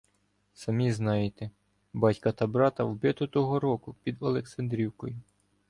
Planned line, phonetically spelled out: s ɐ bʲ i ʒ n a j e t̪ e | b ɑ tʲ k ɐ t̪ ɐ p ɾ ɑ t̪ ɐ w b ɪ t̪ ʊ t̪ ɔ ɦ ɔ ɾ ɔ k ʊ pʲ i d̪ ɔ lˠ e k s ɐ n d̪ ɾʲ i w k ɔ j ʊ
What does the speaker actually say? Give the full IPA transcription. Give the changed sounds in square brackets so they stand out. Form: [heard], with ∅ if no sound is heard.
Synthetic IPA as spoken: s ɐ [mʲ] i [z] n [ɑ] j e t̪ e | b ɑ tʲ k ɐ t̪ ɐ [b] ɾ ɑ t̪ ɐ w b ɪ t̪ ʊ t̪ ɔ ɦ ɔ ɾ ɔ k ʊ pʲ i d̪ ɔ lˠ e k s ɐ n d̪ ɾʲ i w k ɔ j ʊ